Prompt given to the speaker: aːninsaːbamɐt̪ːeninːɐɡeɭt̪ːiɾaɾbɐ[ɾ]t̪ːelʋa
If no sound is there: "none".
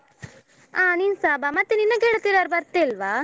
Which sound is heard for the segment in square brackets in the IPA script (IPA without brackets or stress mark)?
ɾ